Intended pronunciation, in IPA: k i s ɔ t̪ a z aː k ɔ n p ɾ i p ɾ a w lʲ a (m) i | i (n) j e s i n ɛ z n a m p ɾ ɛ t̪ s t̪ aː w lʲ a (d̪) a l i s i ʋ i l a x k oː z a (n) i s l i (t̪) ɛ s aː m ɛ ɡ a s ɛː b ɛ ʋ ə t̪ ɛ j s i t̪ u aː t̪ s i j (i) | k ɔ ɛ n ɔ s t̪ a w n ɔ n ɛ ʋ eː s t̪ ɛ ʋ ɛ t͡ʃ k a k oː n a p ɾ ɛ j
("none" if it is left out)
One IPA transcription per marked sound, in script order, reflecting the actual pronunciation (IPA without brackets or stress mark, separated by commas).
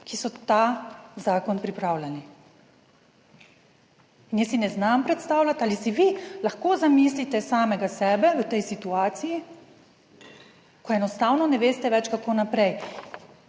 n, n, t̪, m, t̪, i